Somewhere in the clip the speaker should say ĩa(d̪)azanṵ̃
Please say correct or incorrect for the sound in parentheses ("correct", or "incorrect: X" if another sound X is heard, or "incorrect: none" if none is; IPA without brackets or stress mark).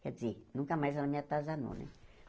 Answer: incorrect: t̪